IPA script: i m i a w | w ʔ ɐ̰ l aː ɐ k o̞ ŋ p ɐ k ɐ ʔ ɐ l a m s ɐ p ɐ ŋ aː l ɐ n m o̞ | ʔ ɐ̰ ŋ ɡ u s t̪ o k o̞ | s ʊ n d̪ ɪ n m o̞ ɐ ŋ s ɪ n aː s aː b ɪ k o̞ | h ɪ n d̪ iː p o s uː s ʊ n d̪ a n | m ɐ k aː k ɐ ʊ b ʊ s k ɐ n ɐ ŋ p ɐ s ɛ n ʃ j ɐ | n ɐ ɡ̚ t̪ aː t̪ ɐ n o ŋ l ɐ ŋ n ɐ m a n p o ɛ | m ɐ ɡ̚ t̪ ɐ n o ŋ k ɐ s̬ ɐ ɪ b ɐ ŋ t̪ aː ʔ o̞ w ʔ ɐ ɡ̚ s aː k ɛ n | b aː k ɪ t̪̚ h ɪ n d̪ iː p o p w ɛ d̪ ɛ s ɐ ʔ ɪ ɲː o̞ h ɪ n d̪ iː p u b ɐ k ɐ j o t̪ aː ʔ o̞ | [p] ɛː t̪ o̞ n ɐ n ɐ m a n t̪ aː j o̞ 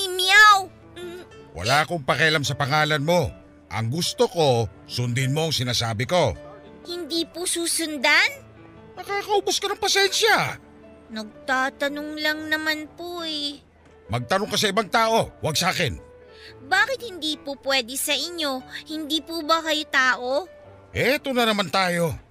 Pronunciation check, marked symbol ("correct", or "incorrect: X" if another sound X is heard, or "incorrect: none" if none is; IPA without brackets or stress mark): incorrect: ʔ